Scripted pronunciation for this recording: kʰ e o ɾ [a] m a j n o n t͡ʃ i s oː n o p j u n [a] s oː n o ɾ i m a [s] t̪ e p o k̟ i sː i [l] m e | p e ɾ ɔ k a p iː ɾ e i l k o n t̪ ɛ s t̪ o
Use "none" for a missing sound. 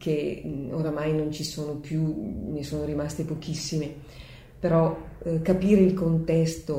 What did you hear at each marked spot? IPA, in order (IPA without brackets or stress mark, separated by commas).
a, e, s, none